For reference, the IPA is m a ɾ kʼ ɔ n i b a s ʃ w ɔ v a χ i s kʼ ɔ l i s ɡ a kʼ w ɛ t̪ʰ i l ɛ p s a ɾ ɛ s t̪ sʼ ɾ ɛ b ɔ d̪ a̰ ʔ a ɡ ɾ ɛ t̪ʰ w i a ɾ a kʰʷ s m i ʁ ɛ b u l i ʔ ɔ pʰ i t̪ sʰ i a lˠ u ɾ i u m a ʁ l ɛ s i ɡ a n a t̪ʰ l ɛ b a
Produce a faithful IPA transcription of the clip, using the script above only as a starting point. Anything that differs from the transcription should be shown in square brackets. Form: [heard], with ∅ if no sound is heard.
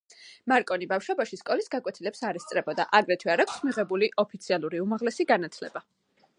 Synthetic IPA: m a ɾ kʼ ɔ n i b a [f] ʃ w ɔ [b] a [ʃ] i s kʼ ɔ l i s ɡ a kʼ w ɛ t̪ʰ i l ɛ p s a ɾ ɛ s t̪ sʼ ɾ ɛ b ɔ d̪ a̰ ʔ a ɡ ɾ ɛ t̪ʰ w i a ɾ a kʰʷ s m i ʁ ɛ b u l i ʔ ɔ pʰ i t̪ sʰ i a lˠ u ɾ i u m a ʁ l ɛ s i ɡ a n a t̪ʰ l ɛ b a